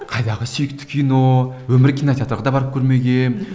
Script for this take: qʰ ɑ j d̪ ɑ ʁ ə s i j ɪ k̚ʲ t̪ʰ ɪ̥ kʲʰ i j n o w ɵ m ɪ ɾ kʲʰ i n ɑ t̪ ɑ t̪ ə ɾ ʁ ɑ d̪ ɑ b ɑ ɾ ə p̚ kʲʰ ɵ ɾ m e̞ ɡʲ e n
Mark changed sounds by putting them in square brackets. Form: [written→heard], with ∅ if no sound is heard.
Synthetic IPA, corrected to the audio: qʰ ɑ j d̪ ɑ ʁ ə s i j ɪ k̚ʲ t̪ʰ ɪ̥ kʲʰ i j n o w ɵ m ɪ ɾ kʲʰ i n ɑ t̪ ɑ t̪ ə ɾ ʁ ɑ d̪ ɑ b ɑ ɾ ə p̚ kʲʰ ɵ ɾ m e̞ ɡʲ e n